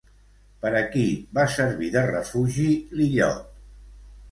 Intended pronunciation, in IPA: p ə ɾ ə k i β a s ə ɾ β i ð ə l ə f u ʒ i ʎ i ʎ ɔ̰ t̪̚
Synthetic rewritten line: p ə ɾ ə k i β a s ə ɾ β i ð ə r ə f u ʒ i l i ʎ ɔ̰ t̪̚